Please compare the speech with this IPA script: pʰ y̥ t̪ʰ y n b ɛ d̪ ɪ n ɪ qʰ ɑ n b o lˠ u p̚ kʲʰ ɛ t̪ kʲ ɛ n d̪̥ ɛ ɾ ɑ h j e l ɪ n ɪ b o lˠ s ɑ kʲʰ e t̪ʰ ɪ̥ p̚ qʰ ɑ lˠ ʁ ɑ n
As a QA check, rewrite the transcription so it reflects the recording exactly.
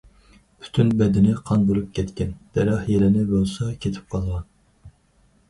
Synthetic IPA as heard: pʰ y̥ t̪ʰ y n b ɛ d̪ ɪ n ɪ qʰ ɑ n b o lˠ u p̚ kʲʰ ɛ t̪ kʲ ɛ n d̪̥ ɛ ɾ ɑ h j e l ɪ n ɪ b o lˠ s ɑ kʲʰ e t̪ʰ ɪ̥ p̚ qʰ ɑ lˠ ʁ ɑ n